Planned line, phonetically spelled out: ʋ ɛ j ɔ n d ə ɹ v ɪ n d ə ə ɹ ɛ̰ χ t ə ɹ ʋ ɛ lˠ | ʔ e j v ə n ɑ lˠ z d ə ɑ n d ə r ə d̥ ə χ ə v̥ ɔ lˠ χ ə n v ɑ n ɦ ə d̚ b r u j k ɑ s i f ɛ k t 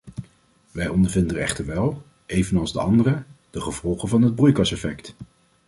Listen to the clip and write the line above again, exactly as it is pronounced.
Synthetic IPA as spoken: ʋ ɛ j ɔ n d ə ɹ v ɪ n d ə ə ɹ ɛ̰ χ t ə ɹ ʋ ɛ lˠ | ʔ e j v ə n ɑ lˠ z d ə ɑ n d ə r ə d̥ ə χ ə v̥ ɔ lˠ χ ə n v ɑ n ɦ ə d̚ b r u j k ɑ s ɛ f ɛ k t